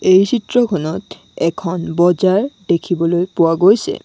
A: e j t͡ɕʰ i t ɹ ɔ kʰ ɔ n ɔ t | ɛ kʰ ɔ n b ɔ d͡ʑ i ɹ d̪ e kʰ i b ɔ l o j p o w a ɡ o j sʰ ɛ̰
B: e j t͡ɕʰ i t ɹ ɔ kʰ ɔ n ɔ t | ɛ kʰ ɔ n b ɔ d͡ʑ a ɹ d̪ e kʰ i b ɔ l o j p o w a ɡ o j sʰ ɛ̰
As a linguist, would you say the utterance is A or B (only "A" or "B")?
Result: B